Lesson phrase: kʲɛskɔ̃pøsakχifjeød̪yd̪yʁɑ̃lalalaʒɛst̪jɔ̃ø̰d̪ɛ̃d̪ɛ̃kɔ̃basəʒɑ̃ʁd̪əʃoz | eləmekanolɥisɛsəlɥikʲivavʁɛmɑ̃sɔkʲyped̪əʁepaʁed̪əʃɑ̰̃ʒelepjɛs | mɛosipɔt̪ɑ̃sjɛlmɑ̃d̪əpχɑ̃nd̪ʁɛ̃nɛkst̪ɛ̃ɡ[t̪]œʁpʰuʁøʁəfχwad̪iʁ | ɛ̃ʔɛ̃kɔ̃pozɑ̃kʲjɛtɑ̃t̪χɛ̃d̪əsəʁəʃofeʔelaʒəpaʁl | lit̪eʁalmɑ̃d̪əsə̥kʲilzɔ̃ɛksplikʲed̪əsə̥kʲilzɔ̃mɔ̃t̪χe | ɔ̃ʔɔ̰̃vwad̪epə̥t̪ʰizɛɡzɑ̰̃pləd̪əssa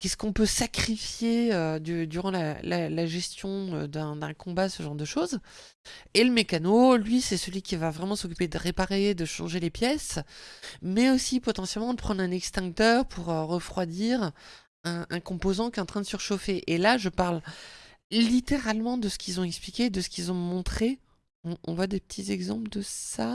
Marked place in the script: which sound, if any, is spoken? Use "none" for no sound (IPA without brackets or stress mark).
t̪